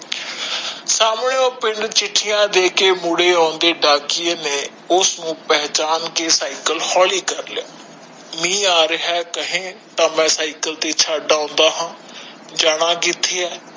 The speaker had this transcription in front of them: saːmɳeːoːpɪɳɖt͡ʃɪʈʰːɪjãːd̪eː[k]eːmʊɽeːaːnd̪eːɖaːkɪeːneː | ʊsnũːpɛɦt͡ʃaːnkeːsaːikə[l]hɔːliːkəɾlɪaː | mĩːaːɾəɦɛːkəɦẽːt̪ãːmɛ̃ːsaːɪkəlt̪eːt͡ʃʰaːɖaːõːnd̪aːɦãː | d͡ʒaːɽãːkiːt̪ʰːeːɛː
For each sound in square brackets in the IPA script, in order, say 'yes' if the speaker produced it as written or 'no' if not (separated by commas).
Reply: yes, yes